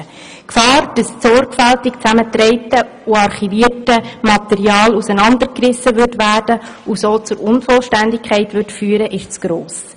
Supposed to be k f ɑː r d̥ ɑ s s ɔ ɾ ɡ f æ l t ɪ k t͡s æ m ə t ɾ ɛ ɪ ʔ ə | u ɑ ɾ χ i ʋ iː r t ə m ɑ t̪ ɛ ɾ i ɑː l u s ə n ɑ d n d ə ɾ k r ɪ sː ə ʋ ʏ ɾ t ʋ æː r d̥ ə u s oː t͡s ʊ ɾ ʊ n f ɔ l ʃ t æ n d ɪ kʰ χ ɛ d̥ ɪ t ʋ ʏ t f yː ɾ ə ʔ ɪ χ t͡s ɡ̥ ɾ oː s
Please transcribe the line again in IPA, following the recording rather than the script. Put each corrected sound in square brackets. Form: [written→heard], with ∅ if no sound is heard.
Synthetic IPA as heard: k f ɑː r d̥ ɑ s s ɔ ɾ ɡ f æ l t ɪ k t͡s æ m ə t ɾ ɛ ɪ [ʔ→t] ə | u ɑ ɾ χ i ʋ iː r t ə m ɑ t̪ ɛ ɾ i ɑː l u s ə n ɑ [d→∅] n d ə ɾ k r ɪ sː ə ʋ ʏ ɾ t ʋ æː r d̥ ə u s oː t͡s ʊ ɾ ʊ n f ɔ l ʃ t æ n d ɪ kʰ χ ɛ [d̥→∅] ɪ t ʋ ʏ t f yː ɾ ə ʔ ɪ [χ→ʃ] t͡s ɡ̥ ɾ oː s